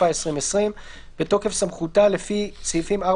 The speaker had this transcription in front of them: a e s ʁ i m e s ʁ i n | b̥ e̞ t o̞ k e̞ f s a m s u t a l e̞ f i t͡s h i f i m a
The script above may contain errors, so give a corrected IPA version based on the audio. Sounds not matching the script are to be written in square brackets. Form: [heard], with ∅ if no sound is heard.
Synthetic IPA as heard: a e s ʁ i m e s ʁ i [m] | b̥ e̞ t o̞ k e̞ f s a m [χ] u t a l e̞ f i t͡s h i f i m a